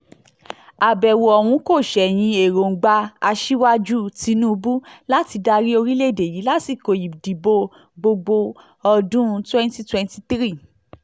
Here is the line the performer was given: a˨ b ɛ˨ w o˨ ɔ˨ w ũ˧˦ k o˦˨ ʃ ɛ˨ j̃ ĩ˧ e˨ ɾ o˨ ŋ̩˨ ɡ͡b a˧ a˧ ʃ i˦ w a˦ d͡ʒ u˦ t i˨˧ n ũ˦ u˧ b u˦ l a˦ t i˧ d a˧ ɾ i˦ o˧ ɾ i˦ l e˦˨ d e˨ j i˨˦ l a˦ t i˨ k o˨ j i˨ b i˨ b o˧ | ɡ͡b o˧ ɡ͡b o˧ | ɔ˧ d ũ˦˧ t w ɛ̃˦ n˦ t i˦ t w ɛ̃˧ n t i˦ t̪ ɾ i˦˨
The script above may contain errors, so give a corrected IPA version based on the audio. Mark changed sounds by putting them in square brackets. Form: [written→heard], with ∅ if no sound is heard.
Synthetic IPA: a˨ b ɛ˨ w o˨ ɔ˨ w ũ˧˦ k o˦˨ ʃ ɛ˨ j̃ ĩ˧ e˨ ɾ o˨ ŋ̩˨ ɡ͡b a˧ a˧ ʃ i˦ w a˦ d͡ʒ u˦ t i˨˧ n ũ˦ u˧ b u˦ l a˦ t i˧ d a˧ ɾ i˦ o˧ ɾ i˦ l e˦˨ d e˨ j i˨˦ l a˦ t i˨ k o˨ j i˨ [b→d] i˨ b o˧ | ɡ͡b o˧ ɡ͡b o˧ | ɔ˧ d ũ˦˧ t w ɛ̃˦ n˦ t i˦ t w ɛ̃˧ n t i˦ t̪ ɾ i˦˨

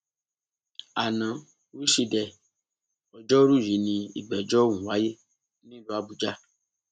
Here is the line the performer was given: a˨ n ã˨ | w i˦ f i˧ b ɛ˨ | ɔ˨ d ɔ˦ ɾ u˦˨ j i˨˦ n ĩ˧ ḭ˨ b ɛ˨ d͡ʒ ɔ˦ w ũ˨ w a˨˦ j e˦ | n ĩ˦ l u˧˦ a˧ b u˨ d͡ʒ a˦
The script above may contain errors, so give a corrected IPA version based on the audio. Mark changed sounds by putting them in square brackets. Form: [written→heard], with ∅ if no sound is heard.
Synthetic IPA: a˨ n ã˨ | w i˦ [f→ʃ] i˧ [b→d] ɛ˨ | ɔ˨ [d→d͡ʒ] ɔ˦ ɾ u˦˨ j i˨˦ n ĩ˧ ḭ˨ [b→ɡ͡b] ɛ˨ d͡ʒ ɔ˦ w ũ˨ w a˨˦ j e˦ | n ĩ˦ l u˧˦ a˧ b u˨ d͡ʒ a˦

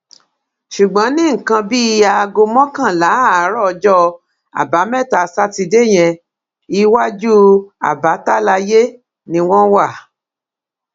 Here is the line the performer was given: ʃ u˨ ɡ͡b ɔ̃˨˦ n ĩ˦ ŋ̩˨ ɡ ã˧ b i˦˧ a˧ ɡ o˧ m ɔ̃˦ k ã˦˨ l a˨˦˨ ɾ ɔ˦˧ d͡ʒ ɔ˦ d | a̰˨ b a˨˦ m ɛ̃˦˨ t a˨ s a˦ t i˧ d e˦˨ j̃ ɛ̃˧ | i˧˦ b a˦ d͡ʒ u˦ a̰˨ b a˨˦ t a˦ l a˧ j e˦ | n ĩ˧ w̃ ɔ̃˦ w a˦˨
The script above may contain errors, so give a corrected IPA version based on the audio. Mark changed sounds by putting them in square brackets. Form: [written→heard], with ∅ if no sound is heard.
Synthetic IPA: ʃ u˨ ɡ͡b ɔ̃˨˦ n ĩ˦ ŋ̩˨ [ɡ→k] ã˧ b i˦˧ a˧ ɡ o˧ m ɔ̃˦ k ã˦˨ l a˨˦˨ ɾ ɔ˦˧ d͡ʒ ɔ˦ [d→∅] | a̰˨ b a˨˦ m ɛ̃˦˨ t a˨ s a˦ t i˧ d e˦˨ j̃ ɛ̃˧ | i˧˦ [b→w] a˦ d͡ʒ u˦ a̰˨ b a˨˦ t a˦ l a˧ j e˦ | n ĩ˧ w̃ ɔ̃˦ w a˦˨

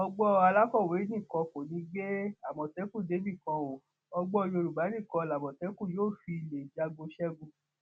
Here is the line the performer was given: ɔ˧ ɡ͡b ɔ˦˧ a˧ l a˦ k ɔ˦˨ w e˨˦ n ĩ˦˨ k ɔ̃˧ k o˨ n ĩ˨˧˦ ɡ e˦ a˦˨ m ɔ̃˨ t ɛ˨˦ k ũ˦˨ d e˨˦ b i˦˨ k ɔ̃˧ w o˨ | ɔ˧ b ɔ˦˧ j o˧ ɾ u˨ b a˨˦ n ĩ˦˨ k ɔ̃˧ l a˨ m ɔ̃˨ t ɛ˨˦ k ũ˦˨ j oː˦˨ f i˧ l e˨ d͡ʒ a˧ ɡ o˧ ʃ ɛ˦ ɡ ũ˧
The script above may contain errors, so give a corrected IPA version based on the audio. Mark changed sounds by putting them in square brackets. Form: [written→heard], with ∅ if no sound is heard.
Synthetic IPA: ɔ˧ ɡ͡b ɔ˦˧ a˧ l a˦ k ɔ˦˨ w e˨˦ n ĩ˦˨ k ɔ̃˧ k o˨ n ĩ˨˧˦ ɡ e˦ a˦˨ m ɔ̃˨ t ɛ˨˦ k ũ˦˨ d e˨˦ b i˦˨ k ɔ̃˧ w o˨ | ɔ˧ [b→ɡ͡b] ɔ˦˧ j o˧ ɾ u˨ b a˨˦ n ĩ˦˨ k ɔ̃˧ l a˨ m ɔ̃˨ t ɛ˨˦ k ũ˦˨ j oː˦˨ f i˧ l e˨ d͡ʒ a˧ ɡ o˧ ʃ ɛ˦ ɡ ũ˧

